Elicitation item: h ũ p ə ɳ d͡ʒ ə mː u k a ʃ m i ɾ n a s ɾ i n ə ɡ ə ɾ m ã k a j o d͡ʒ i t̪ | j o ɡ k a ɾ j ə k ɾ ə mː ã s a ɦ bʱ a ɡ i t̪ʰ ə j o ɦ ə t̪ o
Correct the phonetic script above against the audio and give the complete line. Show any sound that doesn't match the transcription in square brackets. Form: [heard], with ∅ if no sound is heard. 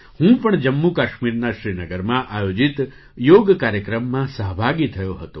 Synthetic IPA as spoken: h ũ p ə ɳ d͡ʒ ə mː u k a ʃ m i ɾ n a [ʃ] ɾ i n ə ɡ ə ɾ m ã [ʔ] a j o d͡ʒ i t̪ | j o ɡ k a ɾ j ə k ɾ ə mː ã s [ə] ɦ bʱ a ɡ i t̪ʰ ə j o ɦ ə t̪ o